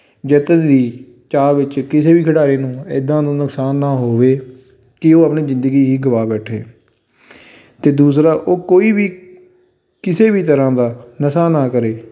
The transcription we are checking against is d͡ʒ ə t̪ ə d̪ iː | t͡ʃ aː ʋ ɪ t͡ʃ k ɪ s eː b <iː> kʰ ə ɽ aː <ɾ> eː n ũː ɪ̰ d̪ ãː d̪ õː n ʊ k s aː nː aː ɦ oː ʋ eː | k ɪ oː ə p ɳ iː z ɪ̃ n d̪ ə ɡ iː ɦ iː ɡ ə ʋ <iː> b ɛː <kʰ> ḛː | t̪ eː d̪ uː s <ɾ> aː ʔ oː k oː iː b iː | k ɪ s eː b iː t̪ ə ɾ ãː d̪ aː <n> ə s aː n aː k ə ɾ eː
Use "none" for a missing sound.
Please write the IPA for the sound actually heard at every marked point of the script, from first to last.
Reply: iː, ɾ, aː, ʈʰ, ɾ, n

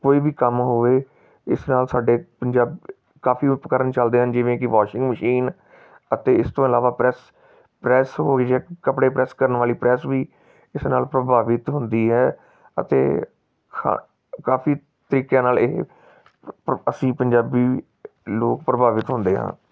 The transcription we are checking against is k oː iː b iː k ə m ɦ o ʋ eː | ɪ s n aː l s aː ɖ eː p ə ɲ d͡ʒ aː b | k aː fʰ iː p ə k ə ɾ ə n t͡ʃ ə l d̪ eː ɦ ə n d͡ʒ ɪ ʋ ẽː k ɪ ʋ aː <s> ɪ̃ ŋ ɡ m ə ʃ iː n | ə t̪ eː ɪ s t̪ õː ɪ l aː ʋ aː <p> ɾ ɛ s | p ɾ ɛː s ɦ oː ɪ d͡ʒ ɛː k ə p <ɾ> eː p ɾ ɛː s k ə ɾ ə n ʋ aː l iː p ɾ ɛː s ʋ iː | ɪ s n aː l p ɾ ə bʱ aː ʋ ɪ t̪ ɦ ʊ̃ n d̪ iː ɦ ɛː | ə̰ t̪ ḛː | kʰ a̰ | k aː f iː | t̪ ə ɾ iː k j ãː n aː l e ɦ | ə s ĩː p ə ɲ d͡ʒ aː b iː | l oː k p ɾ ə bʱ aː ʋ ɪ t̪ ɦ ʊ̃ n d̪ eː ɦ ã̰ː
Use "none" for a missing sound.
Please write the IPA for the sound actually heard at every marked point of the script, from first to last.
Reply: ʃ, p, ɽ

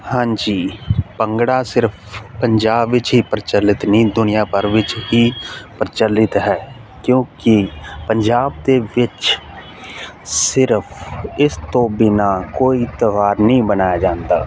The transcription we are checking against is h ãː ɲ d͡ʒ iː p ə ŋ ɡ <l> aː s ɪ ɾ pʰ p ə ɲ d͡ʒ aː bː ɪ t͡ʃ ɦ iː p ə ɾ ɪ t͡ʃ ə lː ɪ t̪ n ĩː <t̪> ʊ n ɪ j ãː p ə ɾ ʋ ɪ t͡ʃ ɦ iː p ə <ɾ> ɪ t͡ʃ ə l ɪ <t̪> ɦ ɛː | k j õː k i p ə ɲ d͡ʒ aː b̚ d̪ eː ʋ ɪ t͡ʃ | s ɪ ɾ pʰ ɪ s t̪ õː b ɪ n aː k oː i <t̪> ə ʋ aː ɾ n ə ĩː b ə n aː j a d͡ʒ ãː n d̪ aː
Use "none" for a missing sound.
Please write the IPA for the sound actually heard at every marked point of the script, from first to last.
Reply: ɽ, d̪, ɾ, t̪, t̪

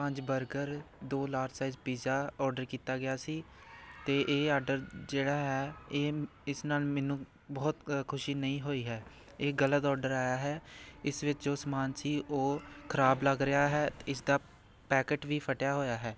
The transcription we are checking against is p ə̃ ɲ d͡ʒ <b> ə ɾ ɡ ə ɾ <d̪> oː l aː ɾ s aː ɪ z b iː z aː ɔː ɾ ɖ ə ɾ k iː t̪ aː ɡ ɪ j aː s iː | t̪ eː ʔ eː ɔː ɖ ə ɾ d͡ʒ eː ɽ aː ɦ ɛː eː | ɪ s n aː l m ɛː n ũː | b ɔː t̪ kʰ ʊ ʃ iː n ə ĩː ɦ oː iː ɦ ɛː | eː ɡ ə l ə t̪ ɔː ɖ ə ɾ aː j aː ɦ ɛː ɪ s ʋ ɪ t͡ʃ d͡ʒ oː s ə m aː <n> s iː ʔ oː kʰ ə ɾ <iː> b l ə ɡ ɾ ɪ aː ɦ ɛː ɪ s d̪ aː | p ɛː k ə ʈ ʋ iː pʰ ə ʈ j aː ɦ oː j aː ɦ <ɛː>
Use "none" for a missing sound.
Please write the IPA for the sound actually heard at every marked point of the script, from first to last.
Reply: b, d̪, n, aː, ɛː

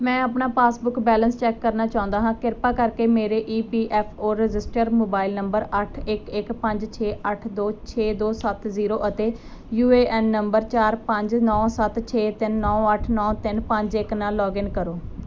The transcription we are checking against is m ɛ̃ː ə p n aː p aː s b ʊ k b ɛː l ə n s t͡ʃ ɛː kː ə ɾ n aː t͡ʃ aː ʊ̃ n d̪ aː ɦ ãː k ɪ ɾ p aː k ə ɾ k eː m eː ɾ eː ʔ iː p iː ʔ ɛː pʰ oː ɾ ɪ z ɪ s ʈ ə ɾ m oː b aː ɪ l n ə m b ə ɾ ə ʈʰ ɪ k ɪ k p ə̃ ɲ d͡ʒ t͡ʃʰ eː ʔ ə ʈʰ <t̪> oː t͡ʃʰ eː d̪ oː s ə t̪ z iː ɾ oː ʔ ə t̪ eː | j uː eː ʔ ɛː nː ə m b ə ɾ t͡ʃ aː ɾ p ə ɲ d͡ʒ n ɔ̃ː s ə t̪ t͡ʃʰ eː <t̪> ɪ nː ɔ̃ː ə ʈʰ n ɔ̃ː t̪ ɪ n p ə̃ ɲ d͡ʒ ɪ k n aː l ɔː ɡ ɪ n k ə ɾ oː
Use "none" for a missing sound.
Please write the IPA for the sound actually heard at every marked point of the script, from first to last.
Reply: d̪, t̪

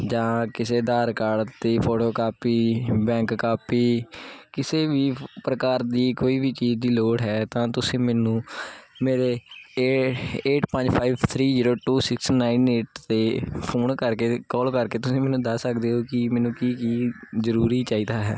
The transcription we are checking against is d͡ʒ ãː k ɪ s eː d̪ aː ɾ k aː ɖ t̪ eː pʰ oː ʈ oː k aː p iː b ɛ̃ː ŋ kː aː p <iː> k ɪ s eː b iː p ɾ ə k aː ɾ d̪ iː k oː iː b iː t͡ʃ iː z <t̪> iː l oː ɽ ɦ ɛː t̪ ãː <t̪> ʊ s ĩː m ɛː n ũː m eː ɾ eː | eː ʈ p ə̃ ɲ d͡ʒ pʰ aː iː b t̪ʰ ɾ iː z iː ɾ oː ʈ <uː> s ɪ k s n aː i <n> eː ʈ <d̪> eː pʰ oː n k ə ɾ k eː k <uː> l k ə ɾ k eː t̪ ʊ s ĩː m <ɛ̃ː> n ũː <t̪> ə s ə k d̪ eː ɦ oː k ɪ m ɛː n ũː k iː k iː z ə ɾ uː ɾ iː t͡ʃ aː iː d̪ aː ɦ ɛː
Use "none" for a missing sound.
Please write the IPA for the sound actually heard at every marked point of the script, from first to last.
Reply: iː, d̪, t̪, uː, n, t̪, ɔː, ɛː, d̪

